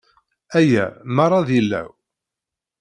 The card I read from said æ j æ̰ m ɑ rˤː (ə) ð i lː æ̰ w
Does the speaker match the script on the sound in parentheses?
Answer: no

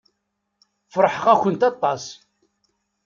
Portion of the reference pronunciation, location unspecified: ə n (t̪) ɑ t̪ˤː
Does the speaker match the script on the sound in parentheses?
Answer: yes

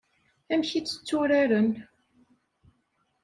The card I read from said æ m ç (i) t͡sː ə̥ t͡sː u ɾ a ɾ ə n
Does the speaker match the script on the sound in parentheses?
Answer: yes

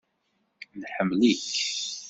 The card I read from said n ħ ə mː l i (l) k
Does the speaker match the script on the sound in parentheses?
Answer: no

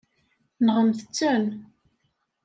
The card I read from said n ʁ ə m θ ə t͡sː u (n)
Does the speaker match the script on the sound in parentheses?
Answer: yes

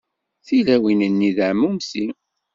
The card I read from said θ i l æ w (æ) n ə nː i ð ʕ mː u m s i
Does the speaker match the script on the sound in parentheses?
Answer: no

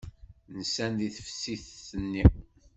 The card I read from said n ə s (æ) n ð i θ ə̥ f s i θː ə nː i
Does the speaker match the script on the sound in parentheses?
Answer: yes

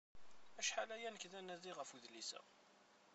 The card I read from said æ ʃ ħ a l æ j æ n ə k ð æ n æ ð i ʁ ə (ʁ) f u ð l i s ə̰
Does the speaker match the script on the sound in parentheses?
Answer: no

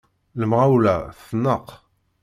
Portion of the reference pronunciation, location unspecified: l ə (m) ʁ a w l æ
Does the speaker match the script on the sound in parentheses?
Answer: yes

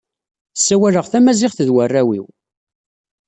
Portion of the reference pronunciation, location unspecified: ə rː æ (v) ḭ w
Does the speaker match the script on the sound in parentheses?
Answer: no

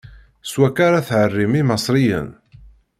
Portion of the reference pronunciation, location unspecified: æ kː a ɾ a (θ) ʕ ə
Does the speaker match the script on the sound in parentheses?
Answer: yes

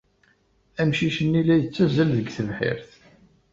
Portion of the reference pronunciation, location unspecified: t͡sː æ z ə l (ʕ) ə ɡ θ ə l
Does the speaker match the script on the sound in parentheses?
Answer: no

